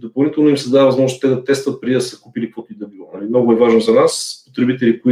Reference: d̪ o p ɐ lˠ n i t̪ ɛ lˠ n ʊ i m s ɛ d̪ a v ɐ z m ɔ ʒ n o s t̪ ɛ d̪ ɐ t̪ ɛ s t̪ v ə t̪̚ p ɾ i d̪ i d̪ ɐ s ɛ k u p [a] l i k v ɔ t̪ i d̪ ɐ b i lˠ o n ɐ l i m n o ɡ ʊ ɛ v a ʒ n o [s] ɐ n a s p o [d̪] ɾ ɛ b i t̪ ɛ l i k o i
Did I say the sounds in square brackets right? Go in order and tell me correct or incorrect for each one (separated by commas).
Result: incorrect, incorrect, incorrect